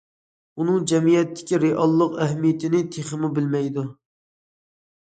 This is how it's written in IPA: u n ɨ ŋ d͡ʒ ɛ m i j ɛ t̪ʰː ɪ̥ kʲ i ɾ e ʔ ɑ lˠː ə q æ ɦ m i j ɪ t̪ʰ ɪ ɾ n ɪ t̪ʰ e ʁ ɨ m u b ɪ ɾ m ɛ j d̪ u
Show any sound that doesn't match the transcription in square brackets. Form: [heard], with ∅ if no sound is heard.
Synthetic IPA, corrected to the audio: u n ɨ ŋ d͡ʒ ɛ m i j ɛ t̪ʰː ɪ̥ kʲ i ɾ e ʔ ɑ lˠː ə q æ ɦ m i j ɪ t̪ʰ ɪ [∅] n ɪ t̪ʰ e [χ] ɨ m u b ɪ [l] m ɛ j d̪ u